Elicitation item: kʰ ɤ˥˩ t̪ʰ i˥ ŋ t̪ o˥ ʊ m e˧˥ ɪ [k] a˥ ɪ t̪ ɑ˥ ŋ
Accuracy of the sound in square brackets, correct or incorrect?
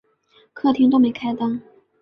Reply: incorrect